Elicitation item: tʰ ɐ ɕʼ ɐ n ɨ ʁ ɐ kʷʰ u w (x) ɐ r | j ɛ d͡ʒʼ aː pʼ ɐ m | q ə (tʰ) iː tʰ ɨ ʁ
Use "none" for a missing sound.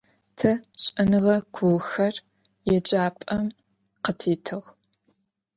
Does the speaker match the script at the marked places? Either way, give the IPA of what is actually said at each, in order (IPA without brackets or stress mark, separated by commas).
x, tʰ